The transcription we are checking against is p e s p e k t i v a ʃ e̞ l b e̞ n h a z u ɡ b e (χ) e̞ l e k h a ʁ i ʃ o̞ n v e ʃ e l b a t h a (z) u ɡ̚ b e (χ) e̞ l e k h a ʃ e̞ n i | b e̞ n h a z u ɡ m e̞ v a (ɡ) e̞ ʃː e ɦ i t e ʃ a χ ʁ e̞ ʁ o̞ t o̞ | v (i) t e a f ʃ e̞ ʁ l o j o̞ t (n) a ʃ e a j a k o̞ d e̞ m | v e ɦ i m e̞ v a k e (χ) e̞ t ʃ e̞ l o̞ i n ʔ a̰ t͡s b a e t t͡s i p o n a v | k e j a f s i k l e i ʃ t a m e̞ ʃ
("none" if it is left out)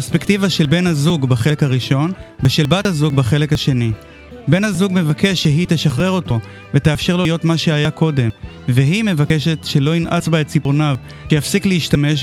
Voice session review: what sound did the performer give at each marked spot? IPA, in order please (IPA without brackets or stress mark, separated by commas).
χ, z, χ, k, e, m, ʃ